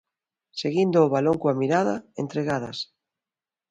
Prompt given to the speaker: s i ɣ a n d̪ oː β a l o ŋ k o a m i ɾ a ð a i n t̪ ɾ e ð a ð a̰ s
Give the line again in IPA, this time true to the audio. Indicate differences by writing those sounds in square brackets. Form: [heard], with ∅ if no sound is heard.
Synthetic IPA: s [e] ɣ [i] n d̪ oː β a l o ŋ k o a m i ɾ a ð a [e] n t̪ ɾ e [ɣ] a ð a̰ s